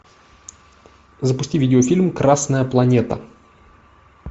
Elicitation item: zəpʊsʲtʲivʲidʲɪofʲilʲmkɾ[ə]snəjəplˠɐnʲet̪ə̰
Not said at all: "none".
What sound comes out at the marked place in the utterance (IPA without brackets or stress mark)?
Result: a